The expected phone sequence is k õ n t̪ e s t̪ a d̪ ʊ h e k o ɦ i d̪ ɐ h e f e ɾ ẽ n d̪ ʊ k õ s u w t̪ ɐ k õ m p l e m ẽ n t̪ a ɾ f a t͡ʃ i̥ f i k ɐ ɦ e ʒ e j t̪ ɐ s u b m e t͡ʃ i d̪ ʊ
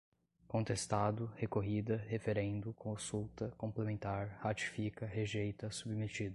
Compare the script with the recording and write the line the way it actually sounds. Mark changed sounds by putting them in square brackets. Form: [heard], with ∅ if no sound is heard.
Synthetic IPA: k õ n t̪ e s t̪ a d̪ ʊ h e k o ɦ i d̪ ɐ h e f e ɾ ẽ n d̪ ʊ k õ s u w t̪ ɐ k õ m p l e m ẽ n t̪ a ɾ [h] a t͡ʃ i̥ f i k ɐ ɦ e ʒ e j t̪ ɐ s u b m e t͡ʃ i d̪ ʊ